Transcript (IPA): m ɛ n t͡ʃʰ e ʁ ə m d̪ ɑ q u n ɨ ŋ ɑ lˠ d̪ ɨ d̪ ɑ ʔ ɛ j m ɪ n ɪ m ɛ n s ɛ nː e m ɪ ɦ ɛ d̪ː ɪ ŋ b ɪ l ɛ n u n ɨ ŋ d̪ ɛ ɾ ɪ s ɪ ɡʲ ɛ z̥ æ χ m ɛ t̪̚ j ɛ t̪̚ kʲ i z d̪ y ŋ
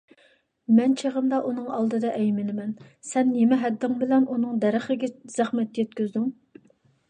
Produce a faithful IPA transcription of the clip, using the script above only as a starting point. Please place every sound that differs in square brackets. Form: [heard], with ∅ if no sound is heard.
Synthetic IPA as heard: m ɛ n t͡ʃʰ e ʁ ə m d̪ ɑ [ʔ] u n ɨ ŋ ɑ lˠ d̪ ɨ d̪ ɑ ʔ ɛ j m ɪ n ɪ m ɛ n s ɛ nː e m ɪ ɦ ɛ d̪ː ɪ ŋ b ɪ l ɛ n u n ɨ ŋ d̪ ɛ ɾ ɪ [χ] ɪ ɡʲ ɛ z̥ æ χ m ɛ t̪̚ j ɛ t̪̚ kʲ [y] z d̪ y ŋ